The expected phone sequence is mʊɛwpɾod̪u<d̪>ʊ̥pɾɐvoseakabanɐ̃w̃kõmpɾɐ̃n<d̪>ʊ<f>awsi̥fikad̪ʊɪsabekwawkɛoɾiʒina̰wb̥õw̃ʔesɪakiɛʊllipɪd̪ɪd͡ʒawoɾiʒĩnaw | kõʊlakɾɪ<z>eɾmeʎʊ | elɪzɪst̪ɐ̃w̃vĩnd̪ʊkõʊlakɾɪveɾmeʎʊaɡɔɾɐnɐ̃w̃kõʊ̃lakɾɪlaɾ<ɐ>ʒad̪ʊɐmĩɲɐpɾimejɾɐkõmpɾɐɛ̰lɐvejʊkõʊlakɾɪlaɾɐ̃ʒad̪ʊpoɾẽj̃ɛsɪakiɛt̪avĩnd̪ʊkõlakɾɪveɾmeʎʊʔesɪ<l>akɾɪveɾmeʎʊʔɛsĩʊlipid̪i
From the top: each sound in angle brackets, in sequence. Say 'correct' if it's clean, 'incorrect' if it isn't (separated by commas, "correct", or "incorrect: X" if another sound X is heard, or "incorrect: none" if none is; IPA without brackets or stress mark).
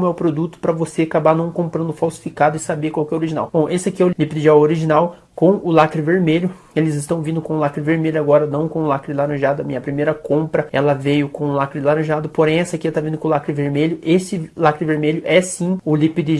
incorrect: t̪, correct, correct, incorrect: v, incorrect: ɐ̃, correct